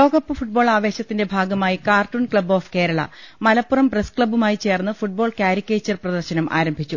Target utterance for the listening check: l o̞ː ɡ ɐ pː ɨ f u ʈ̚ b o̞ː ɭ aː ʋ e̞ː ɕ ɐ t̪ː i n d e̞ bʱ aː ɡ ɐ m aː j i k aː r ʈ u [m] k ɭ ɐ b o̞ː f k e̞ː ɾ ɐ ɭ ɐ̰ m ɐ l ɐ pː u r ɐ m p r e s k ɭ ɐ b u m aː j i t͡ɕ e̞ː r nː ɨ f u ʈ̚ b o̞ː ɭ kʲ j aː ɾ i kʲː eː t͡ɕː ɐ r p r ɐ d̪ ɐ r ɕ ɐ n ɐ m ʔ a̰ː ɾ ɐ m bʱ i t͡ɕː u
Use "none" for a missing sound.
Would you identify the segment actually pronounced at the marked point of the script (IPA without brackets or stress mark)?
n